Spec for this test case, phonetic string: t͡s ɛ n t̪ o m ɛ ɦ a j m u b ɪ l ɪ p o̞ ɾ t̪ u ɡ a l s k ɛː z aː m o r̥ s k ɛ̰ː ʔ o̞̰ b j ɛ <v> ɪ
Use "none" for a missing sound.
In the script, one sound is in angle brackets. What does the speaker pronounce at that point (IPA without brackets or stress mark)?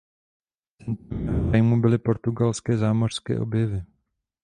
v